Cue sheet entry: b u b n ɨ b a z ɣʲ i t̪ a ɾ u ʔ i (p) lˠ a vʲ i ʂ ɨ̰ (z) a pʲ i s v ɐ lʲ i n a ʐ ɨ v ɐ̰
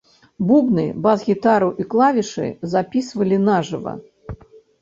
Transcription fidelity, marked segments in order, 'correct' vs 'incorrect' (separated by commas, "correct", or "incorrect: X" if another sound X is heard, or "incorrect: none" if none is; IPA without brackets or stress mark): incorrect: k, correct